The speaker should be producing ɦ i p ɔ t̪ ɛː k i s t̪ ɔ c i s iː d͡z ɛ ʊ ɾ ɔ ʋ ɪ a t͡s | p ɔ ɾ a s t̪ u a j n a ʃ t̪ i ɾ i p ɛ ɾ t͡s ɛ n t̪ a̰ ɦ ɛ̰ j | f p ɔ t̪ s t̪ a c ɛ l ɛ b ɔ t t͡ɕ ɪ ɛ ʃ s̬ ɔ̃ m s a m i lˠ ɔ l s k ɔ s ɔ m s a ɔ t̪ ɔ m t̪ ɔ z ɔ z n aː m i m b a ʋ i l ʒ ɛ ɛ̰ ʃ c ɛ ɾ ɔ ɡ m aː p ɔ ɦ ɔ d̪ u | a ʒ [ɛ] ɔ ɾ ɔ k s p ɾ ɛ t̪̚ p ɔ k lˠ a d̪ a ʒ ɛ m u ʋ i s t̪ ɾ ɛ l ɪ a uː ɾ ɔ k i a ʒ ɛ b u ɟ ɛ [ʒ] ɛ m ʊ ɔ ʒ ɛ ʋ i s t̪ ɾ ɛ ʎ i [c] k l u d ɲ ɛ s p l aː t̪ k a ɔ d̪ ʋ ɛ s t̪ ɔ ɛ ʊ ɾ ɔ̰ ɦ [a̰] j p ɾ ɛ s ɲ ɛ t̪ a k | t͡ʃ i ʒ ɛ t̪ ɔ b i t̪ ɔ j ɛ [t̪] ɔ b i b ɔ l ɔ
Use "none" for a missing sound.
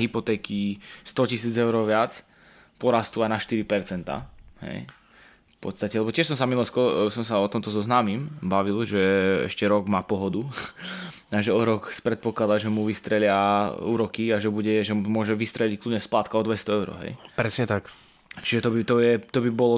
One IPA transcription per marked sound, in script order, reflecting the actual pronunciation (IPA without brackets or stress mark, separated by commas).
ɛ, ʒ, c, ɛ̰, t̪